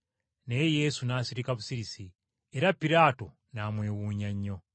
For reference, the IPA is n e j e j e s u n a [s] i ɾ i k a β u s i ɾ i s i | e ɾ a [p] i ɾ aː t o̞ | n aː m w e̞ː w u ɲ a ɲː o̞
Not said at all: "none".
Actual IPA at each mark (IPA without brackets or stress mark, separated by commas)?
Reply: s, p